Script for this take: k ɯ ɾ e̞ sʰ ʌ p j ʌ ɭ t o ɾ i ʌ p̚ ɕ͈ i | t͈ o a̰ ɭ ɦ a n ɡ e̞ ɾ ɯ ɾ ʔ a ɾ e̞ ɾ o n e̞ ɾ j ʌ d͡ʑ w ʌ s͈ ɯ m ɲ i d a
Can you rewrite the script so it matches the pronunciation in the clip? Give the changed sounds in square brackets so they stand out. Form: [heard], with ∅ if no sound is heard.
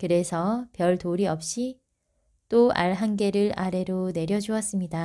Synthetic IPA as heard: k ɯ ɾ e̞ sʰ ʌ p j ʌ ɭ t o ɾ i ʌ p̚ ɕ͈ i | t͈ o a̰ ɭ ɦ a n ɡ e̞ ɾ ɯ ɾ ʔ a ɾ e̞ ɾ o n e̞ ɾ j ʌ d͡ʑ [u] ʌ s͈ ɯ m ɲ i d a